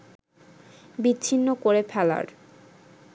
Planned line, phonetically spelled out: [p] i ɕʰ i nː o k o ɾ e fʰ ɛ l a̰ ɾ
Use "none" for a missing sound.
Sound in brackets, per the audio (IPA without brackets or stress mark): b